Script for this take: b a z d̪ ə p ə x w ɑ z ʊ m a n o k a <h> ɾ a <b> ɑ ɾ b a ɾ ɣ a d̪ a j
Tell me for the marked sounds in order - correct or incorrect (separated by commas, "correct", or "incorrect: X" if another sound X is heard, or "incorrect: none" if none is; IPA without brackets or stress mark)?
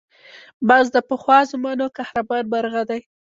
correct, correct